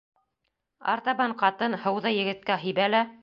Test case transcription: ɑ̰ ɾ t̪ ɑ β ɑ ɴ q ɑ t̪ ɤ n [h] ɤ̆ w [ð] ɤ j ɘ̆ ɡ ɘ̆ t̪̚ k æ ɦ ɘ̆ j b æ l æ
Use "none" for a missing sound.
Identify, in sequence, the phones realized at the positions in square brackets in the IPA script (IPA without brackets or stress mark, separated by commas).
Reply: h, ð